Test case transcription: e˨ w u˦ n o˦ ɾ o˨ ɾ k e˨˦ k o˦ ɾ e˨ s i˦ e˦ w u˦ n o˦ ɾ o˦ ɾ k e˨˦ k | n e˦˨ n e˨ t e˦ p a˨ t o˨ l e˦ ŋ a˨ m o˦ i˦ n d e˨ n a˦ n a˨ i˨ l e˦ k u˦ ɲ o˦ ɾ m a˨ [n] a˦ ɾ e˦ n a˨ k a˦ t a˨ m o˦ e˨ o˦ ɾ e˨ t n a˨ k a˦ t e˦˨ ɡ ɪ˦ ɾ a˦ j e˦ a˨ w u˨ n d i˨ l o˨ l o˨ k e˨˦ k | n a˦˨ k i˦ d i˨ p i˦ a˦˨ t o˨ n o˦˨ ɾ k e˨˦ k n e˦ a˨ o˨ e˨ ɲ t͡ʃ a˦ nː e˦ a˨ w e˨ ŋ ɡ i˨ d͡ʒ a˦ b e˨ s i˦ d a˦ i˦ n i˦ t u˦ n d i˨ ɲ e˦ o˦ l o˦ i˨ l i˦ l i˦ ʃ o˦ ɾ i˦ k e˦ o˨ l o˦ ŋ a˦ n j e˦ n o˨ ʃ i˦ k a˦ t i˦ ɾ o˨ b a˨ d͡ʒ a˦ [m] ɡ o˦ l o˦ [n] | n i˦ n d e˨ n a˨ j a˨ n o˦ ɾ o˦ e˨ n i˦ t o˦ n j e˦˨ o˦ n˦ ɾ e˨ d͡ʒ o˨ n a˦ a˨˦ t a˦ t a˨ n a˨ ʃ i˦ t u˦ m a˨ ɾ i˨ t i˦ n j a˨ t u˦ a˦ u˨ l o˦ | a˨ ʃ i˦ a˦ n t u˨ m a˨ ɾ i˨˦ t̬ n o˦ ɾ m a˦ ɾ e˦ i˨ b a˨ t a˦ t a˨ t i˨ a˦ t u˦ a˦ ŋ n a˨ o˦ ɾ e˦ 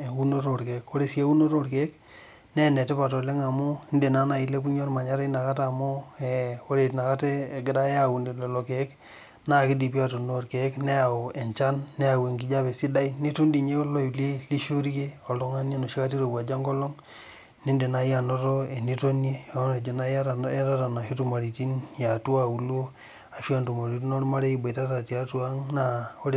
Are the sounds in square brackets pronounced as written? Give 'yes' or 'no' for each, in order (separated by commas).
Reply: no, no, no